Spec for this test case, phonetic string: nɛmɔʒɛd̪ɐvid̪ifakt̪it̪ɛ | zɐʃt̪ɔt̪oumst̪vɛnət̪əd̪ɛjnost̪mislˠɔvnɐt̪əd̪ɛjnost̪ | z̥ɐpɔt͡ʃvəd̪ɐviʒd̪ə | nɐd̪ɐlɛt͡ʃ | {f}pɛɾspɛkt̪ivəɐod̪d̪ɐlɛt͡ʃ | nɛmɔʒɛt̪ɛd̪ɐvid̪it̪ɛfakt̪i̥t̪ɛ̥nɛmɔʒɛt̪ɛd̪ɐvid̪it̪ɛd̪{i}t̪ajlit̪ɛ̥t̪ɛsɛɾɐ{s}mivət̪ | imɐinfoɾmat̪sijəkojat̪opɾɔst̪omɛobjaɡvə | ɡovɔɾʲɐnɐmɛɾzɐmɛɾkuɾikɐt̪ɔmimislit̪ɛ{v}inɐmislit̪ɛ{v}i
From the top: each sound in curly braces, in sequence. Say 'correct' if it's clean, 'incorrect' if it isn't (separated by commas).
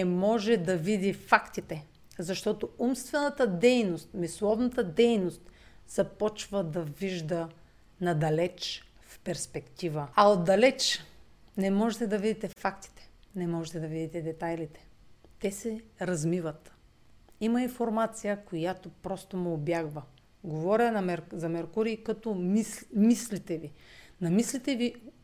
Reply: correct, incorrect, incorrect, correct, correct